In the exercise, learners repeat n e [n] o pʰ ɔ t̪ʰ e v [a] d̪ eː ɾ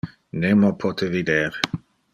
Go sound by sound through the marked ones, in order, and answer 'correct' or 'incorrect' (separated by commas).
incorrect, incorrect